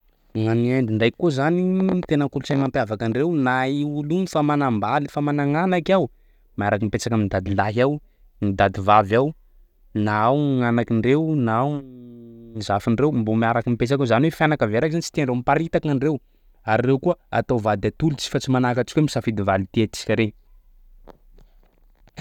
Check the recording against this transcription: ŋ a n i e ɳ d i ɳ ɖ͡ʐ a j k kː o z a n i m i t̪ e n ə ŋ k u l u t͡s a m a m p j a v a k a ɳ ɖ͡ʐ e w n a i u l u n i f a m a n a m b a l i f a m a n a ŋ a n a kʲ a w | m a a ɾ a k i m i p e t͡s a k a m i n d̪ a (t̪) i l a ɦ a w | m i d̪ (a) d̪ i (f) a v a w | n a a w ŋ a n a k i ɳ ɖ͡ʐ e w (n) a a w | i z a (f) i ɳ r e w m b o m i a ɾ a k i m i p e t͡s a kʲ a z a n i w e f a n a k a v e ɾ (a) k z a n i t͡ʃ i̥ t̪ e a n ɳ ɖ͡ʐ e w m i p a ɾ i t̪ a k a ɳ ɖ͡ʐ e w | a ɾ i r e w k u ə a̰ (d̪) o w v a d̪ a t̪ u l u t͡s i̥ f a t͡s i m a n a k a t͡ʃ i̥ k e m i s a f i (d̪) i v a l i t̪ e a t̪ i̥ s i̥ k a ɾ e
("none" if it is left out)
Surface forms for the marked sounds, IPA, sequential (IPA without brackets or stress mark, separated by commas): d̪, a, v, n, f, a, t̪, d̪